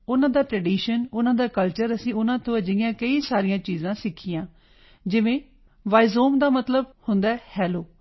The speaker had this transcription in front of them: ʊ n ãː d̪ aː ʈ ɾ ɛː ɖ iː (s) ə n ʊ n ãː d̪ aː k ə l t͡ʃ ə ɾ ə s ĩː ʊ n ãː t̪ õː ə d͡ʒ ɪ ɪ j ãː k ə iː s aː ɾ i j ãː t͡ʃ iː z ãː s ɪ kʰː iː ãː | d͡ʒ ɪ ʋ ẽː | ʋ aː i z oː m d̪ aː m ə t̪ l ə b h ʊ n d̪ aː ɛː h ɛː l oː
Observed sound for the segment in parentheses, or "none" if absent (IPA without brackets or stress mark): ʃ